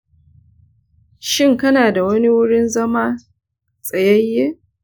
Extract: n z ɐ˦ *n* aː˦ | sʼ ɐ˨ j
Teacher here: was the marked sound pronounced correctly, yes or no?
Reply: no